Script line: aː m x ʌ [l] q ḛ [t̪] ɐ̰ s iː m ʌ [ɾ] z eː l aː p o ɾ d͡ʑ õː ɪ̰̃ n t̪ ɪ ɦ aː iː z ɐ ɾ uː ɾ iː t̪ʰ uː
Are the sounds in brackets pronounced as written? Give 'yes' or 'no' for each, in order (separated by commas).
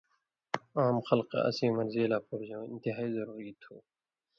yes, no, yes